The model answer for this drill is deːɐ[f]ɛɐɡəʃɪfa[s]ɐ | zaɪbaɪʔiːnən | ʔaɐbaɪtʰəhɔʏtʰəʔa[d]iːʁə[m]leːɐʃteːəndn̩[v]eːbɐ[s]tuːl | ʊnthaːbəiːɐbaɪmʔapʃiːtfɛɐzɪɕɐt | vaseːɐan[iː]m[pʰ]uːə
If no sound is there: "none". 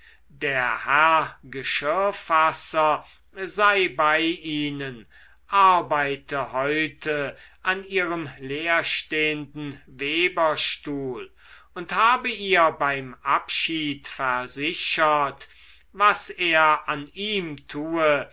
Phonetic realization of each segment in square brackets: h, s, n, m, v, ʃ, iː, tʰ

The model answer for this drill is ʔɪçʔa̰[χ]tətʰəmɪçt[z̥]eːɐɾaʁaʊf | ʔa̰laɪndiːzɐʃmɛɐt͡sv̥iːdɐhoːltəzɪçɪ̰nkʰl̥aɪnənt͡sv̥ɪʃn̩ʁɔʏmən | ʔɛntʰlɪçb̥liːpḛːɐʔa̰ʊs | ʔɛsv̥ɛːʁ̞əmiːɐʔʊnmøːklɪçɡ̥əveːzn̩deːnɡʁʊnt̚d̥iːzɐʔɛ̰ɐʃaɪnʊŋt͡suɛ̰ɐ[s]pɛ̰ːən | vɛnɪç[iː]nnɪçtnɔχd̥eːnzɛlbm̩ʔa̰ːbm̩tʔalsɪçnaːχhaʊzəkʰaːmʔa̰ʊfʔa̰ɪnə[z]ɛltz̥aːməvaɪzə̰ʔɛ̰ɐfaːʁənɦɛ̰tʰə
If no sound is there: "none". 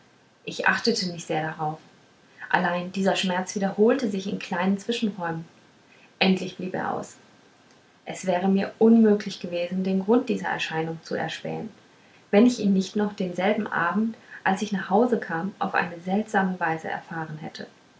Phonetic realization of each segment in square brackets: χ, z̥, ʃ, iː, z

